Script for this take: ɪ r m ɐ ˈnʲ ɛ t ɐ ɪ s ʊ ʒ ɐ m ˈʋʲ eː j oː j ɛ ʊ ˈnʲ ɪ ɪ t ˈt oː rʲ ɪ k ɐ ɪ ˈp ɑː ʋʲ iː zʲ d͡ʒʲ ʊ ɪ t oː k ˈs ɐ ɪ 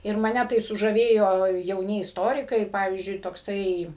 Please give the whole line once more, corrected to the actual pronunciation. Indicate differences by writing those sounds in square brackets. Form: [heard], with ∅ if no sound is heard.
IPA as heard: ɪ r m ɐ ˈnʲ ɛ t ɐ ɪ s ʊ ʒ ɐ [∅] ˈʋʲ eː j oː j ɛ ʊ ˈnʲ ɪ ɪ [s] ˈt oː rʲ ɪ k ɐ ɪ ˈp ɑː ʋʲ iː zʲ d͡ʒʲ ʊ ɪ t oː k ˈs ɐ ɪ